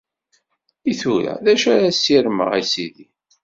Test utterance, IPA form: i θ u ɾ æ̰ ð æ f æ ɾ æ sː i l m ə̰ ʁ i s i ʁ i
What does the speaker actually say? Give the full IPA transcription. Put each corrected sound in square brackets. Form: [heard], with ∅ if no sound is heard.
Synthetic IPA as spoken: i θ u ɾ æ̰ ð æ [ʃ] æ ɾ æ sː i [ɾ] m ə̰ ʁ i s i [ð] i